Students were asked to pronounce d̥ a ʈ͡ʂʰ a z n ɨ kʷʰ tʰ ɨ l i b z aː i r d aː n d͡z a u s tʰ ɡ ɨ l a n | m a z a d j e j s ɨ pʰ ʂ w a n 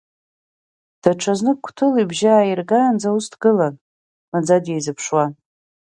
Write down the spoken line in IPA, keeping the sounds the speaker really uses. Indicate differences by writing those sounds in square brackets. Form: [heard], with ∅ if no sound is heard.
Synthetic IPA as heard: d̥ a ʈ͡ʂʰ a z n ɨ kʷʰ tʰ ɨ l i b [ʒ] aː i r [ɡ] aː n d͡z a u s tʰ ɡ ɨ l a n | m a [d͡z] a d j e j [z] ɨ pʰ ʂ w a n